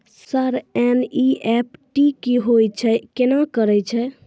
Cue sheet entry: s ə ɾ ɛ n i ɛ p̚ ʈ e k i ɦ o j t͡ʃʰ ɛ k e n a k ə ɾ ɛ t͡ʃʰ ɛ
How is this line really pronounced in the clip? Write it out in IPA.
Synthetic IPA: s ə ɾ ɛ n i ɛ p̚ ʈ i k i ɦ o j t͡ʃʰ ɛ k e n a k ə ɾ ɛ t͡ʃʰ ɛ